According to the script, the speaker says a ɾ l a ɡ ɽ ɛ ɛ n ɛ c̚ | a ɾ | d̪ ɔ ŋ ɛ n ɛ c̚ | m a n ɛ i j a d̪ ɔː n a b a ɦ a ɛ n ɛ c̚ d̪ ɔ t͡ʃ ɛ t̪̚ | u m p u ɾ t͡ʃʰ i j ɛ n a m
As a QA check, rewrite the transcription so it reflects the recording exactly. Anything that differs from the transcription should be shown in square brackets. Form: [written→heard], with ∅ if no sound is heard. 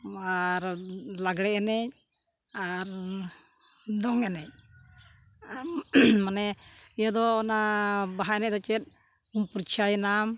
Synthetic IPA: a ɾ l a ɡ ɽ ɛ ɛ n ɛ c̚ | a ɾ | d̪ ɔ ŋ ɛ n ɛ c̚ | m a n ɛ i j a d̪ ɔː n a b a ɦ a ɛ n ɛ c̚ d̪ ɔ t͡ʃ ɛ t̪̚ | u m p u ɾ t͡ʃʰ [i→a] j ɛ n a m